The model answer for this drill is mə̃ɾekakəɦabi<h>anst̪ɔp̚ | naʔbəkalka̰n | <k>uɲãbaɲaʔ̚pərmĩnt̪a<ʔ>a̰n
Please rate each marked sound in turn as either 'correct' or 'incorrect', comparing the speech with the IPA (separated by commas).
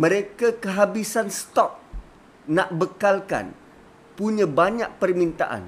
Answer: incorrect, incorrect, correct